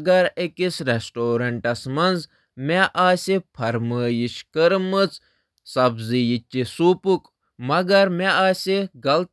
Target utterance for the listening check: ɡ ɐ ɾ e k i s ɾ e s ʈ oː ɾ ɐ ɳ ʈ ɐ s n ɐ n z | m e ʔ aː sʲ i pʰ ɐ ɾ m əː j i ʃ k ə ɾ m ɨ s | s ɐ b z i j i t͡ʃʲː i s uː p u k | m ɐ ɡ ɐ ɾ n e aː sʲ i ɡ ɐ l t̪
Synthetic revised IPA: ɡ ɐ ɾ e k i s ɾ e s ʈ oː ɾ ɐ ɳ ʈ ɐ s m ɐ n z | m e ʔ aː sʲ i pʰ ɐ ɾ m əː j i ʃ k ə ɾ m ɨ t͡s | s ɐ b z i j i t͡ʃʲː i s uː p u k | m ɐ ɡ ɐ ɾ m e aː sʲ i ɡ ɐ l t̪